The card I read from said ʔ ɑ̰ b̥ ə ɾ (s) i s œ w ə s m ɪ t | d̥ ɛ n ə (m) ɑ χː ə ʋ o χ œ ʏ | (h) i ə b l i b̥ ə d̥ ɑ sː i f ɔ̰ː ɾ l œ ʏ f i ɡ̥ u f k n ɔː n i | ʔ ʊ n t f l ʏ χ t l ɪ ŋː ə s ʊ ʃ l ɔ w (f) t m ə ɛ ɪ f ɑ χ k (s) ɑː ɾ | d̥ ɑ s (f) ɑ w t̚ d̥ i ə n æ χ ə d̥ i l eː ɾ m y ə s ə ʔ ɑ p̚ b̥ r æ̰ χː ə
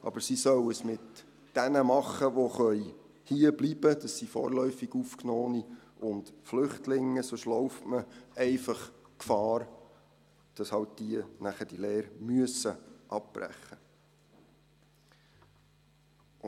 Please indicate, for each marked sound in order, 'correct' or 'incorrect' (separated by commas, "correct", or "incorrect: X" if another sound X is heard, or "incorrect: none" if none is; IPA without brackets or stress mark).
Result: correct, correct, correct, correct, incorrect: f, incorrect: h